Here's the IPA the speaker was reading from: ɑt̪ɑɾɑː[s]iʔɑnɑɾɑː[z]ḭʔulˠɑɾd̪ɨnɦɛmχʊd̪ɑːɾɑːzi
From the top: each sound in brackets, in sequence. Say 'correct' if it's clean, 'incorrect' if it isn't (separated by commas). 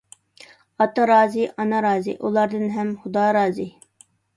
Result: incorrect, correct